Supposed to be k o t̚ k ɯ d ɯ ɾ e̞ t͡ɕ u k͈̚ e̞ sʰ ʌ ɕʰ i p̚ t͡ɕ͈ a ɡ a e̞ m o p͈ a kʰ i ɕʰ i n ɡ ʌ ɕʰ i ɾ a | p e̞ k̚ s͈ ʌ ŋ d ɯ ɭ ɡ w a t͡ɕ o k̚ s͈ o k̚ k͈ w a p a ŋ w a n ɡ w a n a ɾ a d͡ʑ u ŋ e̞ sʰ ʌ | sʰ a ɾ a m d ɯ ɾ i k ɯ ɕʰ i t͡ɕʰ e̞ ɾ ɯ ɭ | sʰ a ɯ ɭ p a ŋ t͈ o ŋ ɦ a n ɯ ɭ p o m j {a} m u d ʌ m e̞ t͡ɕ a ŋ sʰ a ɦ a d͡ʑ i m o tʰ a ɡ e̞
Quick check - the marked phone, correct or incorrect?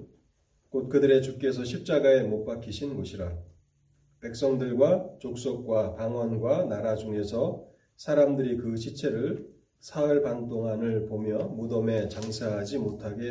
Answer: incorrect